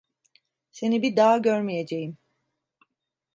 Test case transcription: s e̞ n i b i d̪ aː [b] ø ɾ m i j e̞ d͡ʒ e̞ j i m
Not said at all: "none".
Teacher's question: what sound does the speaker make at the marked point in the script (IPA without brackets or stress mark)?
ɟ